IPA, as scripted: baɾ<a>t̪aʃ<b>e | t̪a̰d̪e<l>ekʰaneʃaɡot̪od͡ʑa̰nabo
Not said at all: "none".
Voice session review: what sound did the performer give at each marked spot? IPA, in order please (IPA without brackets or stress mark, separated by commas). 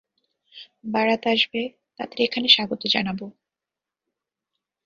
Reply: a, b, ɾ